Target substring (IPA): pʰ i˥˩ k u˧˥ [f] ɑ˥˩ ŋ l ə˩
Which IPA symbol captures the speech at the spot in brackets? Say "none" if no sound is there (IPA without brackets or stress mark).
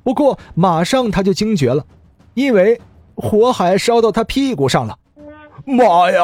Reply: ʂ